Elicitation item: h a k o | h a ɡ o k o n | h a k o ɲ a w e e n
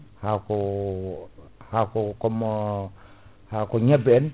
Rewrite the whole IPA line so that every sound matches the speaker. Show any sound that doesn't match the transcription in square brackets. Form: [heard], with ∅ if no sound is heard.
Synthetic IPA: h a k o | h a [k] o k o [m] | h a k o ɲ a [b] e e n